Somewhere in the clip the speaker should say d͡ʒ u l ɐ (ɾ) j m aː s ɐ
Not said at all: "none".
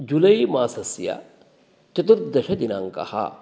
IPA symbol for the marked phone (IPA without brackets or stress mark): none